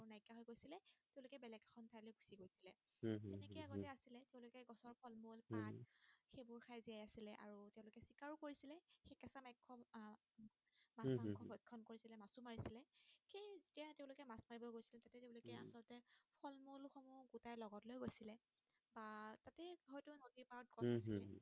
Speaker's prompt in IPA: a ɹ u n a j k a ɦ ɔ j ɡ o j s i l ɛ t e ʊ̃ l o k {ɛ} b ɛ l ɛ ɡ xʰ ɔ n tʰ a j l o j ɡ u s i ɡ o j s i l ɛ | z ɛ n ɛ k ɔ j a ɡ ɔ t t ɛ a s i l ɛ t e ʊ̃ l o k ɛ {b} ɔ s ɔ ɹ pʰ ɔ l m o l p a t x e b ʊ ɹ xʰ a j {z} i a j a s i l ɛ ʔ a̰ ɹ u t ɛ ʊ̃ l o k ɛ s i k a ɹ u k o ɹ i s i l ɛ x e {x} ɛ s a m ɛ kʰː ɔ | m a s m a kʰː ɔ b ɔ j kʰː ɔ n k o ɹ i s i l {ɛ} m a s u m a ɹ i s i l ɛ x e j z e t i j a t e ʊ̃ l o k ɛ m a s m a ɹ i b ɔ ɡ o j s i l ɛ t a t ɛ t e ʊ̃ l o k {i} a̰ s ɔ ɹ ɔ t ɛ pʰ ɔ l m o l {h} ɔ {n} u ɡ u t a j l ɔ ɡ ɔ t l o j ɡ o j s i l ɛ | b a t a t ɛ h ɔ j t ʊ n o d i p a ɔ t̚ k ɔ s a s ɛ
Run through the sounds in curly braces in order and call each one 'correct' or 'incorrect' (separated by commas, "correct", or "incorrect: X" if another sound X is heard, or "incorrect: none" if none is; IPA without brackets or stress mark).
correct, incorrect: ɡ, correct, incorrect: k, correct, incorrect: ɛ, incorrect: x, incorrect: m